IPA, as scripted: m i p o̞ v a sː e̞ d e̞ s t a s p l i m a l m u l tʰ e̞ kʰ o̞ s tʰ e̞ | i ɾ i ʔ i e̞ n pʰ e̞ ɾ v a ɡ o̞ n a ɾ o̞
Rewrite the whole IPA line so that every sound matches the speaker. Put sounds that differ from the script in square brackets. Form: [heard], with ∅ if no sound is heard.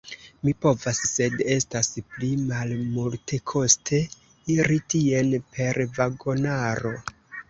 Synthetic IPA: m i p o̞ v a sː e̞ d e̞ s t a s p l i m a l m u l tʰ e̞ kʰ o̞ s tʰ e̞ | i ɾ i [t] i e̞ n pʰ e̞ ɾ v a ɡ o̞ n a ɾ o̞

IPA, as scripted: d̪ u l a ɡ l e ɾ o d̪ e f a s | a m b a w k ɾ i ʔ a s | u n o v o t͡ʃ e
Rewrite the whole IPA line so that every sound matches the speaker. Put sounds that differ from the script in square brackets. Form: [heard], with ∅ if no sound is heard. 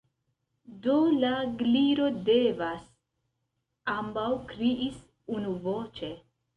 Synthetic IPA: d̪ [o] l a ɡ l [i] ɾ o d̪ e [v] a s | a m b a w k ɾ i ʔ [i] s | u n [u] v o t͡ʃ e

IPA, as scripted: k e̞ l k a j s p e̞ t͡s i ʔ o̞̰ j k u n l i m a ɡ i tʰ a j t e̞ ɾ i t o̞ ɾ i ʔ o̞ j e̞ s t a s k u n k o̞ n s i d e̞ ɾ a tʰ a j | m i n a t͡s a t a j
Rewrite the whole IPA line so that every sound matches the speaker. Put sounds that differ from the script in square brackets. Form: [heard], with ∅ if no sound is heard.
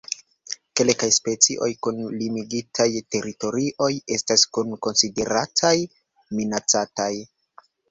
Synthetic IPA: k e̞ l k a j s p e̞ t͡s i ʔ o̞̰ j k u n l i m [i] ɡ i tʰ a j t e̞ ɾ i t o̞ ɾ i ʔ o̞ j e̞ s t a s k u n k o̞ n s i d e̞ ɾ a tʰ a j | m i n a t͡s a t a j

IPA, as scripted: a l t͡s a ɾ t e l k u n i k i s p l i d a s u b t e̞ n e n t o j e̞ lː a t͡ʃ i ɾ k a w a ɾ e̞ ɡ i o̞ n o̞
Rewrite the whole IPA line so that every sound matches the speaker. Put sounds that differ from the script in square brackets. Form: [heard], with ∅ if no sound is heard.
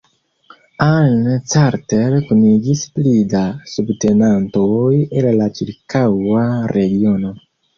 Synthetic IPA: a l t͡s a ɾ t e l k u n i [ɡ] i s p l i d a s u b t e̞ n [a] n t o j e̞ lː a t͡ʃ i ɾ k a w a ɾ e̞ ɡ i o̞ n o̞

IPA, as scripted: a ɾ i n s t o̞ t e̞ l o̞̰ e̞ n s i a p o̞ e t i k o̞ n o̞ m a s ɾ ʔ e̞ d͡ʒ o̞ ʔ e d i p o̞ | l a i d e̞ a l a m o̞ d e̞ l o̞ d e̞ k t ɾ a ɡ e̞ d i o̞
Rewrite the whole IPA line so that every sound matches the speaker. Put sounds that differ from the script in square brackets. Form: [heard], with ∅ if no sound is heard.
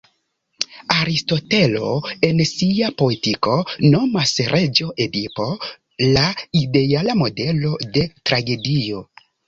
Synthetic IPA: a ɾ i [∅] s t o̞ t e̞ l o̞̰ e̞ n s i a p o̞ e t i k o̞ n o̞ m a s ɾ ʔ e̞ d͡ʒ o̞ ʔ e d i p o̞ | l a i d e̞ a l a m o̞ d e̞ l o̞ d e̞ [∅] t ɾ a ɡ e̞ d i o̞

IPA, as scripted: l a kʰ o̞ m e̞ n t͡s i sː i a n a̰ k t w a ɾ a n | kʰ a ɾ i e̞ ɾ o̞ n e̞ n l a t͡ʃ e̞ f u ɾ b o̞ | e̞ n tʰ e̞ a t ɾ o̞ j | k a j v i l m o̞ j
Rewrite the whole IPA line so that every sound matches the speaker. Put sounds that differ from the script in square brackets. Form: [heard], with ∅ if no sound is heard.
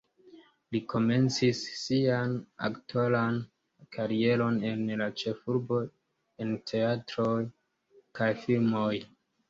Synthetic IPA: l [i] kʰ o̞ m e̞ n t͡s i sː i a n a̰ k t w a [l] a n | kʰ a ɾ i e̞ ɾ o̞ n e̞ n l a t͡ʃ e̞ f u ɾ b o̞ | e̞ n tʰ e̞ a t ɾ o̞ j | k a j [f] i l m o̞ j

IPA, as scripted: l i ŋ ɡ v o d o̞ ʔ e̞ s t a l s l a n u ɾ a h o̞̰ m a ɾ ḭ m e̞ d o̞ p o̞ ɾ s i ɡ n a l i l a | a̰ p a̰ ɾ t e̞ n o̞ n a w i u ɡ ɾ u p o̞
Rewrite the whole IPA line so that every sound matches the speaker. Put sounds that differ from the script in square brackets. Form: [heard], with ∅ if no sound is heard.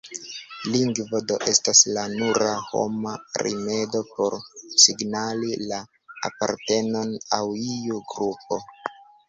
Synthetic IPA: l i ŋ ɡ v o d o̞ ʔ e̞ s t a [∅] s l a n u ɾ a h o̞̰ m a ɾ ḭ m e̞ d o̞ p o̞ ɾ s i ɡ n a l i l a | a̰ p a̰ ɾ t e̞ n o̞ n a w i u ɡ ɾ u p o̞

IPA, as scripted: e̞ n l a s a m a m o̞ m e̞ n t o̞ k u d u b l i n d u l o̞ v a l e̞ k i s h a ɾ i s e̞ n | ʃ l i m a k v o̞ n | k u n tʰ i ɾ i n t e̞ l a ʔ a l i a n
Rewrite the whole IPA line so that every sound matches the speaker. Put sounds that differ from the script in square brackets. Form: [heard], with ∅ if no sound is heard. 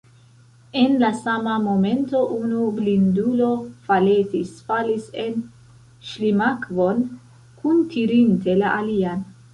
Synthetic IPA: e̞ n l a s a m a m o̞ m e̞ n t o̞ [ʔ] u [n] u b l i n d u l o̞ [f] a l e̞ [t] i s [f] a [l] i s e̞ n | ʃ l i m a k v o̞ n | k u n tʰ i ɾ i n t e̞ l a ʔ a l i a n

